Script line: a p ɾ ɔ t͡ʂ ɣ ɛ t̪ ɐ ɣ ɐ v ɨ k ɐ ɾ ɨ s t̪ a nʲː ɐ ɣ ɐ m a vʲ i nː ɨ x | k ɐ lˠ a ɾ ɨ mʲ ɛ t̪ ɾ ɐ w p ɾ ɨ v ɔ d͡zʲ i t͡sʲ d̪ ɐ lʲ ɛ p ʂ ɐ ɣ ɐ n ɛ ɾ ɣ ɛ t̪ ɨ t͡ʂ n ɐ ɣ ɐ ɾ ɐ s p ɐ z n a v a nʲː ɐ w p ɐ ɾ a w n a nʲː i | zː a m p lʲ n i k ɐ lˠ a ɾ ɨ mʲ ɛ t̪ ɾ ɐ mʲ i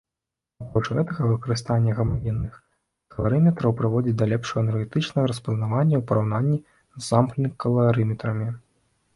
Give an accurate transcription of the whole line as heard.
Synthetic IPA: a p ɾ ɔ t͡ʂ ɣ ɛ t̪ ɐ ɣ ɐ v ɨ k ɐ ɾ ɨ s t̪ a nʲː ɐ ɣ ɐ m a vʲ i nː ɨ x | k ɐ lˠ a ɾ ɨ mʲ ɛ t̪ ɾ ɐ w p ɾ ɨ v ɔ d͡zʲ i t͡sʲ d̪ ɐ lʲ ɛ p ʂ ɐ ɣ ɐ n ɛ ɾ ɣ ɛ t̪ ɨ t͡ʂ n ɐ ɣ ɐ ɾ ɐ s p ɐ z n a v a nʲː ɐ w p ɐ ɾ a w n a nʲː i | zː a m p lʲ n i k ɐ lˠ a ɾ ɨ mʲ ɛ t̪ ɾ ɐ mʲ i